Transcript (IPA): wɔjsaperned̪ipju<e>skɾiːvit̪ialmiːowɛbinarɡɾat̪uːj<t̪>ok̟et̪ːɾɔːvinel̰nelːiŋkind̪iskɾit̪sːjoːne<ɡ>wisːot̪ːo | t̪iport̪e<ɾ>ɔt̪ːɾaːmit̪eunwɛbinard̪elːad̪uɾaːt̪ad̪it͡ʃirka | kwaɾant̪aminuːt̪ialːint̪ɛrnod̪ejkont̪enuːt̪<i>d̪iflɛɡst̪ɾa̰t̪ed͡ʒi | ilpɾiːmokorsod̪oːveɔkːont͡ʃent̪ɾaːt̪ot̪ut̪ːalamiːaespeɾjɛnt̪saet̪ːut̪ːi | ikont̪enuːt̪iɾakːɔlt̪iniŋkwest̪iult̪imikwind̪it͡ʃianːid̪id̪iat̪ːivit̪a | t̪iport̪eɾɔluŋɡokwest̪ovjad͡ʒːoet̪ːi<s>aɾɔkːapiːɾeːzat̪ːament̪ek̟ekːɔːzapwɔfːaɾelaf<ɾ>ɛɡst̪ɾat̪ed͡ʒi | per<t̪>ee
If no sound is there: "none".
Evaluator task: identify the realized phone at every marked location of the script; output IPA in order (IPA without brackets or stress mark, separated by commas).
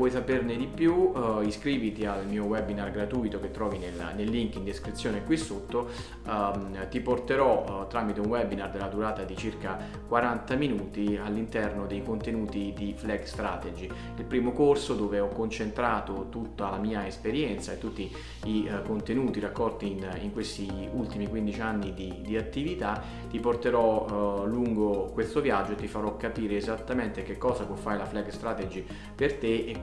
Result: i, t̪, k, ɾ, i, f, l, t̪